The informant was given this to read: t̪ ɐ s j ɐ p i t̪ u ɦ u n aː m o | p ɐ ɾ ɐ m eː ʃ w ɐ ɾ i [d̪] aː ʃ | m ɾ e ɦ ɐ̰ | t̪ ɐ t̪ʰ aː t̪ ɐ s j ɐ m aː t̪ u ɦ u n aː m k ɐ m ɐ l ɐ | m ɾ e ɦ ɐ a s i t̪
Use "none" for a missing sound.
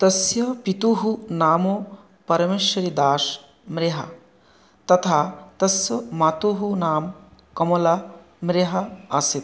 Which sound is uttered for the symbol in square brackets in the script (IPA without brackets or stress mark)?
d̪